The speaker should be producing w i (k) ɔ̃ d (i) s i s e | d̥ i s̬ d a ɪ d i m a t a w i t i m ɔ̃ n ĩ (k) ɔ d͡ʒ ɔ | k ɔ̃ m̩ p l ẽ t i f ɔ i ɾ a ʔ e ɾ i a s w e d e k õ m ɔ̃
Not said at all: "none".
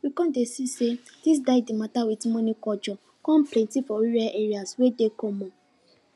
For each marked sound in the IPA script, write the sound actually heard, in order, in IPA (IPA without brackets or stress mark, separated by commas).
k, e, k